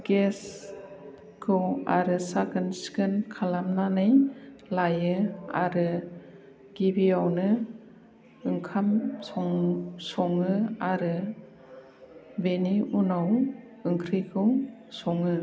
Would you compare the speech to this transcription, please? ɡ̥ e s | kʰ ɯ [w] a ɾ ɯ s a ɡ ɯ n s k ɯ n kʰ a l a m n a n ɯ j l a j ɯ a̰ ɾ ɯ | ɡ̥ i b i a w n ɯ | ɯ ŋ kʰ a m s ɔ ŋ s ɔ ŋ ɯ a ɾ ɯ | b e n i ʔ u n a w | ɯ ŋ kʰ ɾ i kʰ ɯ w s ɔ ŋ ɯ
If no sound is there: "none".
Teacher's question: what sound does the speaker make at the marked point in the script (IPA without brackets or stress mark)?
w